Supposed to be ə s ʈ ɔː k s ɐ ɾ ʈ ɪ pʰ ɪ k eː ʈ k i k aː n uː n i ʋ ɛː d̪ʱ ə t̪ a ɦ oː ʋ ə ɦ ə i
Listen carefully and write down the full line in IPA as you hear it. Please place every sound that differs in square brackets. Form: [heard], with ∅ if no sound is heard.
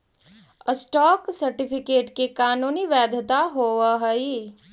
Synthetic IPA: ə s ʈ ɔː k s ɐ ɾ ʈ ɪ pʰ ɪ k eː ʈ k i k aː n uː n i ʋ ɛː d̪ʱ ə t̪ a ɦ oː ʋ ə ɦ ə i